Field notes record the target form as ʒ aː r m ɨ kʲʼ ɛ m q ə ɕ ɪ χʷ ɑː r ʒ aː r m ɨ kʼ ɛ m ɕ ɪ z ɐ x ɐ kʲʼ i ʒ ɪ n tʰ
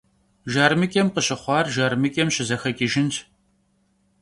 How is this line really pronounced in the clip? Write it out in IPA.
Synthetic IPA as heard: ʒ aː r m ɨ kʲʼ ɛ m q ə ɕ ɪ χʷ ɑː r ʒ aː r m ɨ kʼ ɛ m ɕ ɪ z ɐ x ɐ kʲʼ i ʒ ɪ n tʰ